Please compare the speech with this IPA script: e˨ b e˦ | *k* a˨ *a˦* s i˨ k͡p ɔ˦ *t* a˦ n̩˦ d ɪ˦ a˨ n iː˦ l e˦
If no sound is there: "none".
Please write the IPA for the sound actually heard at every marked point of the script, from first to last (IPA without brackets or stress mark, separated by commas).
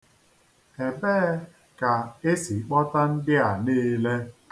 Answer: k, e˦, t